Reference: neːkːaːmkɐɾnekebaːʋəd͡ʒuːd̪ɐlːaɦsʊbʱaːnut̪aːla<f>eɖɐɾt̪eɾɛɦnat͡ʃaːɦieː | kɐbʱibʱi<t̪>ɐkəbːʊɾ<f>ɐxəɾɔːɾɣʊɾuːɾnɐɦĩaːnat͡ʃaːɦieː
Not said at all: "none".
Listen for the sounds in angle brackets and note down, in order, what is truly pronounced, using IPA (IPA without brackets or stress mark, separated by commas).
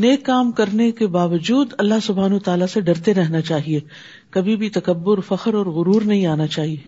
s, t̪, f